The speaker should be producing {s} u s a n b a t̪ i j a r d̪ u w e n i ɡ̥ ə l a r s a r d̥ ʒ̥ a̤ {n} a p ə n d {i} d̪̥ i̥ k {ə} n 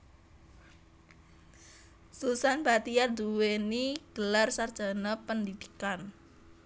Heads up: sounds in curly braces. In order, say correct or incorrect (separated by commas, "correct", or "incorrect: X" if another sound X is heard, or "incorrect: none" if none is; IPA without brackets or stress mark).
correct, correct, correct, incorrect: a